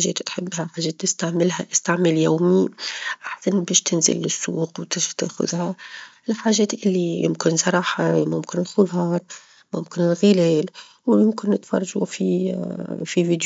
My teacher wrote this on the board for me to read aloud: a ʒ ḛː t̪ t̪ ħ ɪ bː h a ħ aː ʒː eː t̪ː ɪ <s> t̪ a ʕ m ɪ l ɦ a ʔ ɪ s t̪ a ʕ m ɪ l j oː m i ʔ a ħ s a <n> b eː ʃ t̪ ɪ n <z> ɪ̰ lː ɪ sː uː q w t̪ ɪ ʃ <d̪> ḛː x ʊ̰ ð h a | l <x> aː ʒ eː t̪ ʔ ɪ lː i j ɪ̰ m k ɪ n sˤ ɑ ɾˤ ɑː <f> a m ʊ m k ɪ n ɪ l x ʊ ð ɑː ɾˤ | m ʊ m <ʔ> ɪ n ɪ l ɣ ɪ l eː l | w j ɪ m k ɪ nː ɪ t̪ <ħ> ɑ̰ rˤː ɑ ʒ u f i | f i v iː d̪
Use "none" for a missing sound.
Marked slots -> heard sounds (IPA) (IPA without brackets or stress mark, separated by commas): s, n, z, t̪, ħ, ħ, k, f